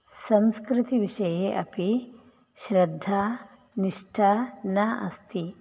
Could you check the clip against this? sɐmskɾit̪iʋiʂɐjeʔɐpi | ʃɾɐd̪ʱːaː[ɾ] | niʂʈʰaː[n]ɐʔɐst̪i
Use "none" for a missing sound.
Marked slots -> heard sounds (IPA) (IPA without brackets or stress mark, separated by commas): none, n